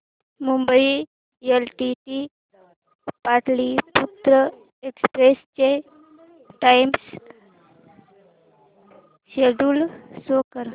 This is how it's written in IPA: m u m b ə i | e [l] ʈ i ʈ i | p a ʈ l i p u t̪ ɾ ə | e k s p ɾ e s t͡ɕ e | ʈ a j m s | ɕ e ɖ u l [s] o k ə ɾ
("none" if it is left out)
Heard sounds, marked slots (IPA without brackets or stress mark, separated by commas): l, s